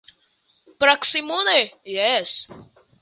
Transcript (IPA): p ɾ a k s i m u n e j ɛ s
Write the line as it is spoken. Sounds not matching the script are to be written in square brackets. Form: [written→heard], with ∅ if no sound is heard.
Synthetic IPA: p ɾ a k s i m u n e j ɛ s